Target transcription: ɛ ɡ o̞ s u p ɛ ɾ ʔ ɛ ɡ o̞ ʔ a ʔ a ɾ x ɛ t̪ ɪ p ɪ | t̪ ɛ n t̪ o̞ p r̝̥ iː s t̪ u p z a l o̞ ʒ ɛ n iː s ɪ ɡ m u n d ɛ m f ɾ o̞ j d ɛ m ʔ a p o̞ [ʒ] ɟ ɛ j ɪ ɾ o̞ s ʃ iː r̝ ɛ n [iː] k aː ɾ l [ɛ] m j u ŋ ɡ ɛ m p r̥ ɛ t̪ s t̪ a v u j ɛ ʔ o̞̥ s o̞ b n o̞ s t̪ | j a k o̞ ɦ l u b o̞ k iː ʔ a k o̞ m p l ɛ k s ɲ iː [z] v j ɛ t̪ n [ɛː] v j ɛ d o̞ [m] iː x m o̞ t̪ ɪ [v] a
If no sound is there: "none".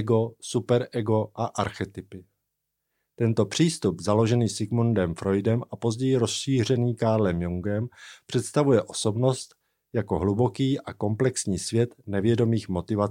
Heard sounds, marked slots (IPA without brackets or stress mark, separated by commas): z, iː, ɛ, s, ɛ, m, v